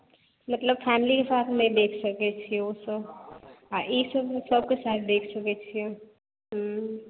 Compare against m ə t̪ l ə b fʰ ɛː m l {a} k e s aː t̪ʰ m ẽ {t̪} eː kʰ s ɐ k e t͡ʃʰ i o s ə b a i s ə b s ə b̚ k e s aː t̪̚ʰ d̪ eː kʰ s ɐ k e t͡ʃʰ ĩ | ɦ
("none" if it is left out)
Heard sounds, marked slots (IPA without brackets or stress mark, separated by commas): i, d̪